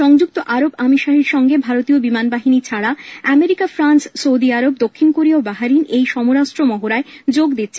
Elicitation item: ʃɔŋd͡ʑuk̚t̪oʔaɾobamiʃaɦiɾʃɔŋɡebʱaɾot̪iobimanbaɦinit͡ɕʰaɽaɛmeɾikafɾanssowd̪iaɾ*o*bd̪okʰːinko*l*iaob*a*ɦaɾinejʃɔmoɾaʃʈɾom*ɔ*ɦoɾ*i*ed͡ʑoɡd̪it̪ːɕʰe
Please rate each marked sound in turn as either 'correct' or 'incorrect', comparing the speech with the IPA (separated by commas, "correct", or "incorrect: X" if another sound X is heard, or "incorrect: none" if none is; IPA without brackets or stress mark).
correct, incorrect: ɾ, correct, correct, incorrect: a